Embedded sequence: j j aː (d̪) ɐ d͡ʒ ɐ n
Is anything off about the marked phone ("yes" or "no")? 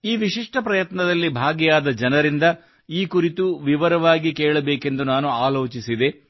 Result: no